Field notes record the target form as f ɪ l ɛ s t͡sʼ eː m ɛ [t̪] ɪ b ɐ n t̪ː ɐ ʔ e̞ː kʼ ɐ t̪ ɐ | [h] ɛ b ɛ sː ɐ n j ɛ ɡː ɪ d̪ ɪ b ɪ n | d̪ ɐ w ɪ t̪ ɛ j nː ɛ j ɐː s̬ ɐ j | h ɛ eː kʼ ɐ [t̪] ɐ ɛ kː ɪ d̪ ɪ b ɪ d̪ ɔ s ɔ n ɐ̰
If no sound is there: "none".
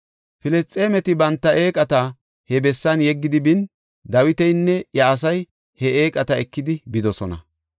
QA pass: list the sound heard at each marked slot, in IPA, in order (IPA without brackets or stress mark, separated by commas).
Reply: t̪, h, t̪